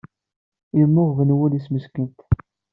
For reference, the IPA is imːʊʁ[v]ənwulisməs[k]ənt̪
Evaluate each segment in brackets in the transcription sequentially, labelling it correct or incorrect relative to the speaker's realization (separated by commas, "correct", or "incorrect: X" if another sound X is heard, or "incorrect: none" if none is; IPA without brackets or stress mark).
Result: correct, correct